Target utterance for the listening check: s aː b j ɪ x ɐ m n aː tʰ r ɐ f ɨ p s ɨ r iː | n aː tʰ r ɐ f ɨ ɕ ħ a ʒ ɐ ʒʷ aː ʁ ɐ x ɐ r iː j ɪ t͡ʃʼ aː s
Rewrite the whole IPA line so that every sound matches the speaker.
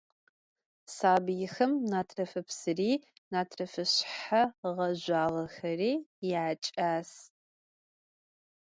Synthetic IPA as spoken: s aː b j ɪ x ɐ m n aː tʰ r ɐ f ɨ p s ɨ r iː | n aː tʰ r ɐ f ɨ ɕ ħ a ʁ ɐ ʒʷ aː ʁ ɐ x ɐ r iː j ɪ t͡ʃʼ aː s